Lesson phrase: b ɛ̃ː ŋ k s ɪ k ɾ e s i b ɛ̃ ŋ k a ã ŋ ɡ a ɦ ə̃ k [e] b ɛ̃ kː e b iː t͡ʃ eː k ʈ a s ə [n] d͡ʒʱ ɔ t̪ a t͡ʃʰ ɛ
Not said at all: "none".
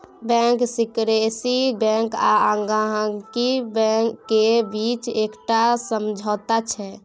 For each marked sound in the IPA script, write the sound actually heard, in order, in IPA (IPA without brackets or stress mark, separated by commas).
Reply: i, m